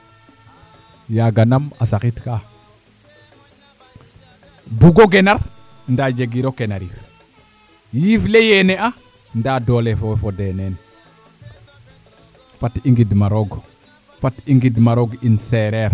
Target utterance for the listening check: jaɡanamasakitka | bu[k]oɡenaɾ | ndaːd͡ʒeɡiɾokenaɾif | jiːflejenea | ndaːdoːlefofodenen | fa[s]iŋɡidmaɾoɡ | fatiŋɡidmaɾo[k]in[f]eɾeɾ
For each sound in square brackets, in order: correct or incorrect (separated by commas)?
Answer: incorrect, incorrect, incorrect, incorrect